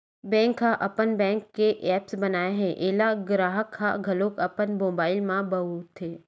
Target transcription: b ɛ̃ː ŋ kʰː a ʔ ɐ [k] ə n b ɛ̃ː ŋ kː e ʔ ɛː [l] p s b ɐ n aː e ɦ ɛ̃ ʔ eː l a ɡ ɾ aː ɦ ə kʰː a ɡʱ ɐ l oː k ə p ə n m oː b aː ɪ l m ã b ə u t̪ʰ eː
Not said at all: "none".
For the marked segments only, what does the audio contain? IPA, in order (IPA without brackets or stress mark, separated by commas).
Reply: p, none